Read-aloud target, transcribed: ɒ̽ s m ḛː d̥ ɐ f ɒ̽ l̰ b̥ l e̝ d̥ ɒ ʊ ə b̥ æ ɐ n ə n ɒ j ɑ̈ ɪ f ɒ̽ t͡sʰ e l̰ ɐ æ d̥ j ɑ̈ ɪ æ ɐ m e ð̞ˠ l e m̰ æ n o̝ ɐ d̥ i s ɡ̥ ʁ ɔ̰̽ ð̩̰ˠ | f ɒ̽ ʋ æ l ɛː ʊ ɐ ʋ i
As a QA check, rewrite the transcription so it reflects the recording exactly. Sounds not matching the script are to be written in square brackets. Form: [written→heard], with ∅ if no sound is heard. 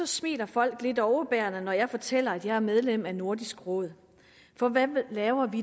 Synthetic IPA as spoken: ɒ̽ s m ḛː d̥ ɐ f ɒ̽ l̰ [b̥→ɡ̥] l e̝ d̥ ɒ ʊ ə b̥ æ ɐ n ə n ɒ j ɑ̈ ɪ f ɒ̽ t͡sʰ e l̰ ɐ æ d̥ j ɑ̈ ɪ æ ɐ m e ð̞ˠ l e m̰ æ n o̝ ɐ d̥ i s ɡ̥ ʁ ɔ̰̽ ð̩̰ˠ | f ɒ̽ ʋ æ l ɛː ʊ ɐ ʋ i